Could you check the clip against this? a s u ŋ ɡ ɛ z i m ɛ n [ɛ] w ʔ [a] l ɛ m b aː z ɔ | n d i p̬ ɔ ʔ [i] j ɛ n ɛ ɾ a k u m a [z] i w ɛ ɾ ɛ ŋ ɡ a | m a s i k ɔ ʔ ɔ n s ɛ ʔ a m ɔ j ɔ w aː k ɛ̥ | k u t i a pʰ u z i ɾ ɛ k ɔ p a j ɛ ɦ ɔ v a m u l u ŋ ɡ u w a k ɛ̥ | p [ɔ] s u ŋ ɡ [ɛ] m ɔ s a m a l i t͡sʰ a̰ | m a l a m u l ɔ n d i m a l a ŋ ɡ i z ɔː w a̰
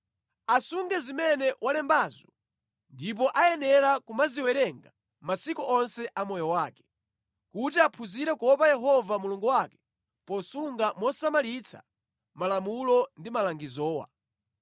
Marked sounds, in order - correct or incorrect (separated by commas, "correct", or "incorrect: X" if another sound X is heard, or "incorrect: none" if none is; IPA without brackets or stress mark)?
correct, correct, incorrect: a, correct, correct, incorrect: a